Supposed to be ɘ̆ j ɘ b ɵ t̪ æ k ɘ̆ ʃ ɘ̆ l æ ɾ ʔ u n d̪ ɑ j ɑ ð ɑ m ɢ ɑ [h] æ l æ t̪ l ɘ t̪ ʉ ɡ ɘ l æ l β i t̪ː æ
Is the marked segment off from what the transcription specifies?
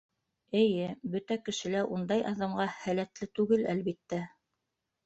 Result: no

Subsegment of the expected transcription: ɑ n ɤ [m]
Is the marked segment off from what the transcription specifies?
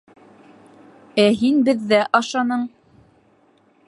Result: yes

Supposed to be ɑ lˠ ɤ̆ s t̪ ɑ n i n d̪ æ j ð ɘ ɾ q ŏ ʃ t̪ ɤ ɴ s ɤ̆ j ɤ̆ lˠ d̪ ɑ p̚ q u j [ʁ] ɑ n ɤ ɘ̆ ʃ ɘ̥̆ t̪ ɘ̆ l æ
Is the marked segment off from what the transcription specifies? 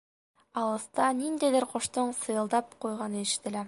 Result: no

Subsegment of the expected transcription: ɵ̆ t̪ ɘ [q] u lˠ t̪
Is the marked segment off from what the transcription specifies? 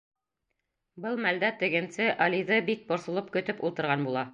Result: yes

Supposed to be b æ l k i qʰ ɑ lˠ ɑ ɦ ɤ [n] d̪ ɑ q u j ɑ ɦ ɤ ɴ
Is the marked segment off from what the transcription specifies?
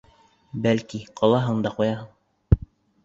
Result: yes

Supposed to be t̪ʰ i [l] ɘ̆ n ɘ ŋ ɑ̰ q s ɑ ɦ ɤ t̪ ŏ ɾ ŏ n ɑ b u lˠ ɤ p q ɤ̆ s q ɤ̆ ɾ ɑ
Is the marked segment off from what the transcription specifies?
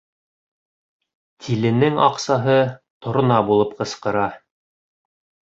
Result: no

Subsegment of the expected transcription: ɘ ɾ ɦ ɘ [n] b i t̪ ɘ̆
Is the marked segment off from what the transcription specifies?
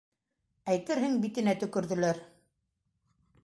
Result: yes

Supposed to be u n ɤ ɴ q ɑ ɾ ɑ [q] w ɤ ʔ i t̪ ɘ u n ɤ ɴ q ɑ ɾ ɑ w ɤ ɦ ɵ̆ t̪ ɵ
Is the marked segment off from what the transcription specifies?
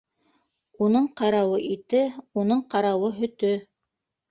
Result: yes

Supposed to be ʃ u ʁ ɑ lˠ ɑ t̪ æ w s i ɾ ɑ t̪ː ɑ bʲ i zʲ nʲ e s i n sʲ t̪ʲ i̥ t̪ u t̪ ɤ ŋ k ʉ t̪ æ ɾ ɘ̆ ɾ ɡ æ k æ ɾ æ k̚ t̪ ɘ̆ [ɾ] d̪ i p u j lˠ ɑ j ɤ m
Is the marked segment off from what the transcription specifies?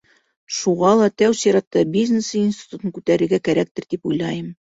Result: no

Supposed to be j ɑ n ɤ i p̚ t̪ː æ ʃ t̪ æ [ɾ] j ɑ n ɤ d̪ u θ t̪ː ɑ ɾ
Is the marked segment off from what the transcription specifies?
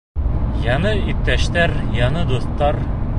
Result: no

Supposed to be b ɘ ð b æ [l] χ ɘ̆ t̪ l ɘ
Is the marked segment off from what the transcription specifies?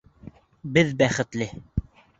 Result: yes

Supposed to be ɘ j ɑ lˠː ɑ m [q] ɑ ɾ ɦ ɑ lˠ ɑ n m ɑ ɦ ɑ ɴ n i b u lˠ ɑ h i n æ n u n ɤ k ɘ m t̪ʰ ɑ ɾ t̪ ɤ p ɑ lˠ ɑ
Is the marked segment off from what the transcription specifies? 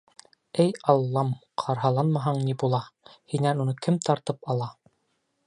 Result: yes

